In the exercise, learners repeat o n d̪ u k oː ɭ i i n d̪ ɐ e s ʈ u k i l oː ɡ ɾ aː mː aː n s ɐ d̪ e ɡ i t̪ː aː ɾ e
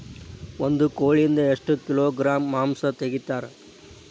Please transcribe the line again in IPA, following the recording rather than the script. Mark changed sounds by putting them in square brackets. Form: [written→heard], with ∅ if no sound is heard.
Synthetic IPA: o n d̪ u k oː ɭ i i n d̪ ɐ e [s→ʂ] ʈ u k i l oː ɡ ɾ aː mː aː [n→m] s ɐ [d̪→t̪] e ɡ i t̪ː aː ɾ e